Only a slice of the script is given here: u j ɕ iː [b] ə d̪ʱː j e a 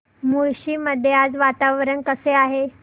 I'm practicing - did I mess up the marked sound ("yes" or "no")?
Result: yes